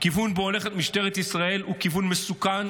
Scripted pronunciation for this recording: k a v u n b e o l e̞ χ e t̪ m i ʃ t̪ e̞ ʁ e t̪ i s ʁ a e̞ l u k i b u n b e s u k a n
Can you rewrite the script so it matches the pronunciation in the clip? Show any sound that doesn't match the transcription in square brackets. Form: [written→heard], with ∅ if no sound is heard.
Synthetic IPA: k [a→i] v u n b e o l e̞ χ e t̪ m i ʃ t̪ e̞ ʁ e t̪ i s ʁ a e̞ l u k i [b→v] u n [b→m] e s u k a n